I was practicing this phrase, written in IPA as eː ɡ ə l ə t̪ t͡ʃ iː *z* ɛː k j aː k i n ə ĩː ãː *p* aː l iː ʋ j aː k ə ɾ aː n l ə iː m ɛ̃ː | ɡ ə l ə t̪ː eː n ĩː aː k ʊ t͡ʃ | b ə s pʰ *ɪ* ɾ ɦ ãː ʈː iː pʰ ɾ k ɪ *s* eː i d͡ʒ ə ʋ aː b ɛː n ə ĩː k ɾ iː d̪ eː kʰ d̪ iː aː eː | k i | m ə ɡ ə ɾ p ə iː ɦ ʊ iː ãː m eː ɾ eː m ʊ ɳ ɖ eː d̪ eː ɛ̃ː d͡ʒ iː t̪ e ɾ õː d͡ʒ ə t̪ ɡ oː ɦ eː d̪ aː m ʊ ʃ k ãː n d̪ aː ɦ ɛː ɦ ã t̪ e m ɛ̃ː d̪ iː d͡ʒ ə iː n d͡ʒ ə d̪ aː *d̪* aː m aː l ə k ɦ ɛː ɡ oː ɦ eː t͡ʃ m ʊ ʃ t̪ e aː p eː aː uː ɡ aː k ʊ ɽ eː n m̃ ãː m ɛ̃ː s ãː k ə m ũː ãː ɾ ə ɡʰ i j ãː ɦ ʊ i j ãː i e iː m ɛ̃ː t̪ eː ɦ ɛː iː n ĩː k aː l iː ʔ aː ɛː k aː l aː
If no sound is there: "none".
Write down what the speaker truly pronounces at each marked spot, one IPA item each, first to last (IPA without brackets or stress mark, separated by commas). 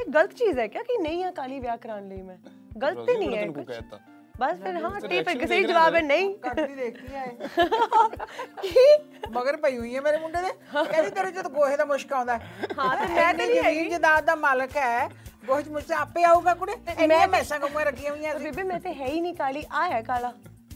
z, k, ɪ, s, d̪